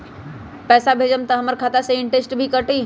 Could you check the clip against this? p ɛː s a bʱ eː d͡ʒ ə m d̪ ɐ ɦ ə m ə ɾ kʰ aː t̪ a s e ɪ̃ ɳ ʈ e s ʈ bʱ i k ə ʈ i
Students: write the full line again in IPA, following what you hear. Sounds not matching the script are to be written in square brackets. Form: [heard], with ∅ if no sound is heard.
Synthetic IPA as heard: p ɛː s a bʱ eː d͡ʒ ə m [t̪] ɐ ɦ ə m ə ɾ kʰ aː t̪ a s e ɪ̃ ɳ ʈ e s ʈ bʱ i k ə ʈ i

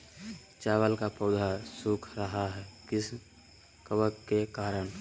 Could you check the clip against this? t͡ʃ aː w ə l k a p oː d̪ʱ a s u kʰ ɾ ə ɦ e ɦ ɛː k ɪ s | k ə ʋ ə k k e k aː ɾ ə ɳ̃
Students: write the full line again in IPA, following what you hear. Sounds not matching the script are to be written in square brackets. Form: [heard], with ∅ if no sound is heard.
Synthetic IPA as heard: t͡ʃ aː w ə l k a p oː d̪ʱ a s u kʰ ɾ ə ɦ [a] ɦ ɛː k ɪ s | k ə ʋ ə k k e k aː ɾ ə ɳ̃

